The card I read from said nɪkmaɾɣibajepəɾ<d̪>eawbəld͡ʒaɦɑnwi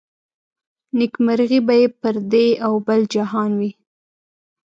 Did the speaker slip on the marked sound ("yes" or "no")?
no